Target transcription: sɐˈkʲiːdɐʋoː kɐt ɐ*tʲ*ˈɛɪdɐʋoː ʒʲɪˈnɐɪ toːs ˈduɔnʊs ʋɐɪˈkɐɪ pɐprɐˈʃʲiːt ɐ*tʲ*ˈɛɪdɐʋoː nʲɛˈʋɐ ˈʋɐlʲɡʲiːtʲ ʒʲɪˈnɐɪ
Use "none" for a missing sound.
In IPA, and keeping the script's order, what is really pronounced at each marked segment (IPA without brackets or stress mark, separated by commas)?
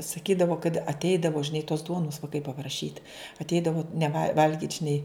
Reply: tʲ, tʲ